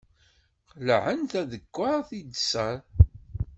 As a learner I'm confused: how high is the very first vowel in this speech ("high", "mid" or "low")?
mid